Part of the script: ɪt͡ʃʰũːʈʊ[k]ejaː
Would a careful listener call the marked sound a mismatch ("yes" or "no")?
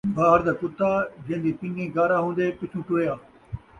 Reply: yes